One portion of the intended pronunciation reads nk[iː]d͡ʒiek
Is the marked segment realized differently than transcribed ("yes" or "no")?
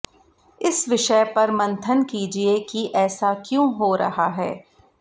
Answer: no